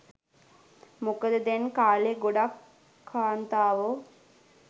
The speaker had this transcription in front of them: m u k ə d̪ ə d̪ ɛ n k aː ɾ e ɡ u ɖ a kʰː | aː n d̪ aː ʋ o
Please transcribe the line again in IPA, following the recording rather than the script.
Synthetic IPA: m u k ə d̪ ə d̪ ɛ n k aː l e ɡ o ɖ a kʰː | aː n t̪ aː ʋ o